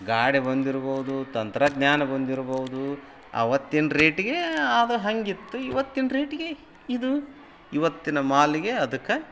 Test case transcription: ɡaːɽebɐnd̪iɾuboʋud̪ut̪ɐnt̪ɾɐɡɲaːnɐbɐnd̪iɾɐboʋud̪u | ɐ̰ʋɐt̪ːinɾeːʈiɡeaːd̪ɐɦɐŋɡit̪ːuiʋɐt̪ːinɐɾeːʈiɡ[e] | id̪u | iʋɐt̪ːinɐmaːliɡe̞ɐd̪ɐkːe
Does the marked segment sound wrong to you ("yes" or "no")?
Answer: no